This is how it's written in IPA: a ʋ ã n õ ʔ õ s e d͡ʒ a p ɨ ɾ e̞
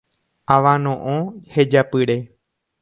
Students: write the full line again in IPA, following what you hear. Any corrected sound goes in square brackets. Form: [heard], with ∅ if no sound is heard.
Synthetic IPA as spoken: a ʋ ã n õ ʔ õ [h] e d͡ʒ a p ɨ ɾ e̞